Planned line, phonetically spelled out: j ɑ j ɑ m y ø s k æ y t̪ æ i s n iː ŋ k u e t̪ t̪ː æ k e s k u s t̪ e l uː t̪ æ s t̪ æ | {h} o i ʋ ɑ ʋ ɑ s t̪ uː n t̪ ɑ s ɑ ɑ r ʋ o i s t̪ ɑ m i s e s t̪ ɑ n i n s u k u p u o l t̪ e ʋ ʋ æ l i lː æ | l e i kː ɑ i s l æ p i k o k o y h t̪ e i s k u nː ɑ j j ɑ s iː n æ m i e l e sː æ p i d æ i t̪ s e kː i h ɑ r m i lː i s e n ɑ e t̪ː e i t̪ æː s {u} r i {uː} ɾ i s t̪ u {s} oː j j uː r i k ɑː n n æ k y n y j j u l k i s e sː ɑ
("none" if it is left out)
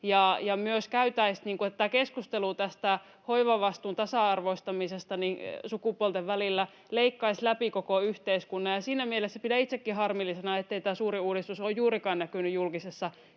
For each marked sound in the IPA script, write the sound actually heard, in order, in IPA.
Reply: h, uː, uː, s

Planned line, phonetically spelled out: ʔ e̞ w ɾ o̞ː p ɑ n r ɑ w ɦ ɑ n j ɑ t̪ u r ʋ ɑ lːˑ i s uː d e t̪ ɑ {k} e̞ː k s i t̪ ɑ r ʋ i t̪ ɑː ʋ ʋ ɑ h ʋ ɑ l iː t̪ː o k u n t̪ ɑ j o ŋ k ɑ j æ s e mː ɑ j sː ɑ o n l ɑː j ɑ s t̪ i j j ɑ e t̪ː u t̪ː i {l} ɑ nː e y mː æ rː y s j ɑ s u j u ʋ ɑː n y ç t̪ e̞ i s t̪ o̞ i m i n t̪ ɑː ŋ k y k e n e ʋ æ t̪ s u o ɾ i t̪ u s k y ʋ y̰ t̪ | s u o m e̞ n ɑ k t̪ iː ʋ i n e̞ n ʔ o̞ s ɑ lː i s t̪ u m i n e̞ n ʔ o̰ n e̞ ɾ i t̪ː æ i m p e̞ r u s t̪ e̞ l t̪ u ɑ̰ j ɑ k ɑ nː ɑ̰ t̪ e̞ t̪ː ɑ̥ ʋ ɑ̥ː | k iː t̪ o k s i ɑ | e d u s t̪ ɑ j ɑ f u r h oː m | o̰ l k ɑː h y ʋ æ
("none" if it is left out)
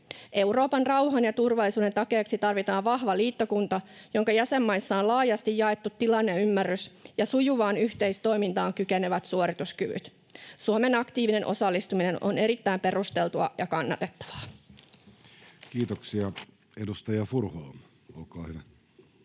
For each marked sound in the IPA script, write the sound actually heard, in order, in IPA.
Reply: k, l

